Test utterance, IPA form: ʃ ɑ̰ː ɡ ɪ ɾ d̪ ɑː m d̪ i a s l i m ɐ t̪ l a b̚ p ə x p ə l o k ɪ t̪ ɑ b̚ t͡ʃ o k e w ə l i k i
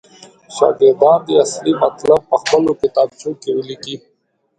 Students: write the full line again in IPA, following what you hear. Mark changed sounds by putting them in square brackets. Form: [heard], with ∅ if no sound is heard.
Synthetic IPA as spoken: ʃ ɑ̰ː ɡ ɪ ɾ d̪ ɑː [n] d̪ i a s l i m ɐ t̪ l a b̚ p ə x p ə l o k ɪ t̪ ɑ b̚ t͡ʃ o k e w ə l i k i